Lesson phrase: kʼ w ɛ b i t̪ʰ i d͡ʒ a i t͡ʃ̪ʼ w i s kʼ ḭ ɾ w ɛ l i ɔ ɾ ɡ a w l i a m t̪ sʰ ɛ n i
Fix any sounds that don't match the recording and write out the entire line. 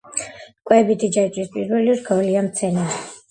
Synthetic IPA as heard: kʼ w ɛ b i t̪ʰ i d͡ʒ a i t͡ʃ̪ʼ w i s pʼ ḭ ɾ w ɛ l i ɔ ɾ ɡ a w l i a m t̪ sʰ ɛ n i